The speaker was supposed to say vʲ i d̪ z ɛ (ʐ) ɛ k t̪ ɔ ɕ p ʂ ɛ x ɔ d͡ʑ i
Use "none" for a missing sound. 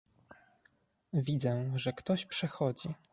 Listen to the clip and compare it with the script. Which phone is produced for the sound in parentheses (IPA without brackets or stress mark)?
ʐ